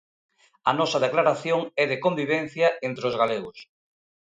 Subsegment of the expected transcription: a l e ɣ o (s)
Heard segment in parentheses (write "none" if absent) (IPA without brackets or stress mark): s